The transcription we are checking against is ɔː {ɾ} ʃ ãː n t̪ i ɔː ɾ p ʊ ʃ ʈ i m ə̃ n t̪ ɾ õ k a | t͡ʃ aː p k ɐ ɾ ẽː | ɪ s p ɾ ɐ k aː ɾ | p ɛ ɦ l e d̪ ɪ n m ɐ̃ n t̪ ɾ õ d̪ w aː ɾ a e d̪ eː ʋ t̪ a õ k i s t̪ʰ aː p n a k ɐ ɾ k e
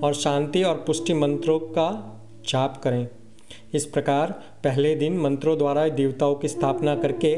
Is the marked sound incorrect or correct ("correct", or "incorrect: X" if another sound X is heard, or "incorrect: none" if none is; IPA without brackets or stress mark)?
correct